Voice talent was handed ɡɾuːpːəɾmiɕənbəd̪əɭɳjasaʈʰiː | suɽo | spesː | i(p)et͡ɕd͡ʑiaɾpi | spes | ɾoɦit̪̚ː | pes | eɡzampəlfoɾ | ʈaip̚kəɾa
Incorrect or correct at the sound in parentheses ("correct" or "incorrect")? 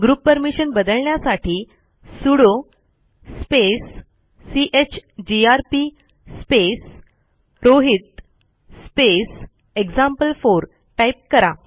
incorrect